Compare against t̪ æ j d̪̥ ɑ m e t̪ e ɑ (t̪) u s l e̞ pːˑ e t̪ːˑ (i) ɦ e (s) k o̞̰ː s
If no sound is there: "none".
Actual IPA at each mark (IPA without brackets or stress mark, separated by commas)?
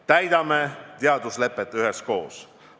d̪, y, s